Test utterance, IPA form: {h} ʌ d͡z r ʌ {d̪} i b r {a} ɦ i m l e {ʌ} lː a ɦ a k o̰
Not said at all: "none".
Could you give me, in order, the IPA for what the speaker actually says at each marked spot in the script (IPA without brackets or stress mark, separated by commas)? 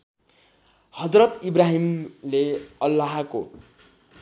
h, t̪, a, ʌ